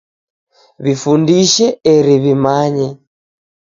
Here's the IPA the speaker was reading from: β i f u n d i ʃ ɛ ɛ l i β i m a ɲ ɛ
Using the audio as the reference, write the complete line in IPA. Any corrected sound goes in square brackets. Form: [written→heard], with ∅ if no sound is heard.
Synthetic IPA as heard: β i f u n d i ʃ ɛ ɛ [l→ɾ] i β i m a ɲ ɛ